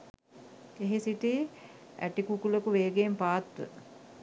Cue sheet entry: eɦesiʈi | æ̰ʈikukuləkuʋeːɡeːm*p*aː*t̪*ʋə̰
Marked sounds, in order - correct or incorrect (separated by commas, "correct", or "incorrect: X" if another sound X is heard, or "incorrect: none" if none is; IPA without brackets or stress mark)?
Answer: correct, correct